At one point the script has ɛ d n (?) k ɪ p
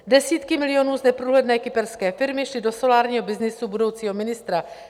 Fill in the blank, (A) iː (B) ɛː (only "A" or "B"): B